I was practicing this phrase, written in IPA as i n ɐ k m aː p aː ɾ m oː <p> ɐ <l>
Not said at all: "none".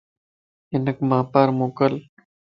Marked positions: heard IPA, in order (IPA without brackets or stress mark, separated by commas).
k, l